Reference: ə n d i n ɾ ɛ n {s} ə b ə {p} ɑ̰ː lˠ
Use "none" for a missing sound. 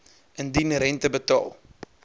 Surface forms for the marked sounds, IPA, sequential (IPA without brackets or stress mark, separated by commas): t, t